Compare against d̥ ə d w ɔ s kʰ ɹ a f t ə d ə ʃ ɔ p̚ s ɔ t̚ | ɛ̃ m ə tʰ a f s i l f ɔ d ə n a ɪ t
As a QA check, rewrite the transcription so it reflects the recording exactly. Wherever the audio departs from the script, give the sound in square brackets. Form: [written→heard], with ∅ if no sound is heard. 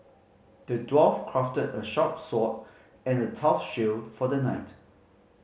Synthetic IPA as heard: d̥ ə d w ɔ [s→f] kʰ ɹ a f t ə d ə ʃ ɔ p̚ s ɔ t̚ | ɛ̃ [m→n] ə tʰ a f [s→ʃ] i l f ɔ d ə n a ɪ t